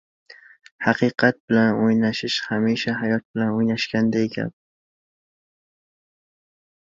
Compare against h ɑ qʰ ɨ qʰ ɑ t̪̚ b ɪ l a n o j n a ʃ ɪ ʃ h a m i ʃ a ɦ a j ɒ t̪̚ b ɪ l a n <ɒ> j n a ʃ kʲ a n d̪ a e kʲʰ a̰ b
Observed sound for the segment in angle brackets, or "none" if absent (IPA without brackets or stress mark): o